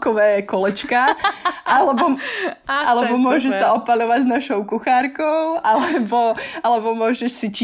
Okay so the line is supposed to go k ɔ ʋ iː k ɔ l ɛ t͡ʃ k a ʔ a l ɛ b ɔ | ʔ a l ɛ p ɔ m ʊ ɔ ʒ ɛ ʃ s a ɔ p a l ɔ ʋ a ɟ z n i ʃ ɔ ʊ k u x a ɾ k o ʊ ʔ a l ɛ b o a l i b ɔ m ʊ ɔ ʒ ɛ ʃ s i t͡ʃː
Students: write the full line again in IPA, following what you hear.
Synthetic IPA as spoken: k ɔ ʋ ɛː k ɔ l ɛ t͡ʃ k a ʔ a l ɛ b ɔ | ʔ a l ɛ b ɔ m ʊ ɔ ʒ ɛ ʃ s a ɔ p a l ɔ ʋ a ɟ z n a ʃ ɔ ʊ k u x a ɾ k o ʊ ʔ a l ɛ b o a l ɛ b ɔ m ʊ ɔ ʒ ɛ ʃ s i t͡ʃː